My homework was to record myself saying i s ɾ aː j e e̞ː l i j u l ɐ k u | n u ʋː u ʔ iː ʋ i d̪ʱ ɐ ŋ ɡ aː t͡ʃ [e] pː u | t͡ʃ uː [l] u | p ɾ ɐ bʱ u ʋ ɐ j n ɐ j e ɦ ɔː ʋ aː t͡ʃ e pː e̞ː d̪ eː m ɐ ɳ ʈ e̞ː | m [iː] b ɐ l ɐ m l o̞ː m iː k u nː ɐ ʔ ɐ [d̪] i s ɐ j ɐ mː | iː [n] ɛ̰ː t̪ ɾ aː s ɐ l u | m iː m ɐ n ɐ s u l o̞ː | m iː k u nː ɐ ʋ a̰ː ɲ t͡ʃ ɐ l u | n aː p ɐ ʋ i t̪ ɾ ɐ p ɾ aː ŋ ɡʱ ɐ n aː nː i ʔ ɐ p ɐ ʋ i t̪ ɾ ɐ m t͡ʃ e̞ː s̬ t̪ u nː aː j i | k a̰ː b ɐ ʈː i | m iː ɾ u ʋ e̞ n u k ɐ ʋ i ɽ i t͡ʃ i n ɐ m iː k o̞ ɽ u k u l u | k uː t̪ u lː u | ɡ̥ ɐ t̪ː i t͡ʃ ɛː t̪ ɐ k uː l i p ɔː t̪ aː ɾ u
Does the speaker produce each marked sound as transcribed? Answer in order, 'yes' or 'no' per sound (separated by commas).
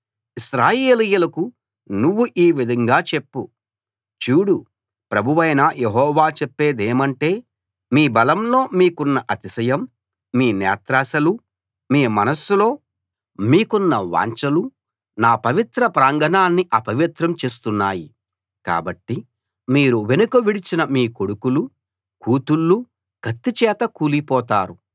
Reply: yes, no, yes, no, yes